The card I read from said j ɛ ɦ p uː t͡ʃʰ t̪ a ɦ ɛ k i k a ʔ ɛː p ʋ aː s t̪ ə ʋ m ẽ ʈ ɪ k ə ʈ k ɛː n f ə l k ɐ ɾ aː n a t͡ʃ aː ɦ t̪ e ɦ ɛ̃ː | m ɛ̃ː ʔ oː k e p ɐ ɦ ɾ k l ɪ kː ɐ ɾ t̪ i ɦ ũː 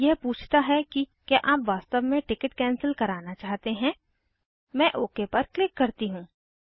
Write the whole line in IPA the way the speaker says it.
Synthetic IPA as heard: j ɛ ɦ p uː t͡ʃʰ t̪ a ɦ ɛ k i k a ʔ aː p ʋ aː s t̪ ə ʋ m ẽ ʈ ɪ k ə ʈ k ɛː n s ə l k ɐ ɾ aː n a t͡ʃ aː ɦ t̪ e ɦ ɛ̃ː | m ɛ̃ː ʔ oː k e p ɐ ɾ k l ɪ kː ɐ ɾ t̪ i ɦ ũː